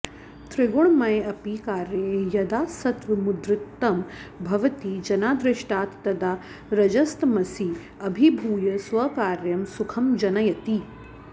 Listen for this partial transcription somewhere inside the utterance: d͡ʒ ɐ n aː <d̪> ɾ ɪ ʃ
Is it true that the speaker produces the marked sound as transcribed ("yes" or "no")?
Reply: yes